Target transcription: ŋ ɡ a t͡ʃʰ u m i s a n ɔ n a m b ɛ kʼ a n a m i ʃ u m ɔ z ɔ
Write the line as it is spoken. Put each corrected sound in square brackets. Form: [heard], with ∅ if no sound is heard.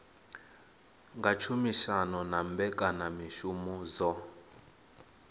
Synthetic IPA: ŋ ɡ a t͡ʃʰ u m i [ʃ] a n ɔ n a m b ɛ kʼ a n a m i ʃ u m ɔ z ɔ